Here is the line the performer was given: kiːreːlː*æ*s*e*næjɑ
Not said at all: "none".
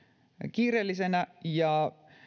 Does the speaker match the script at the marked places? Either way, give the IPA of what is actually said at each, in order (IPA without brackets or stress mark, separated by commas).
i, e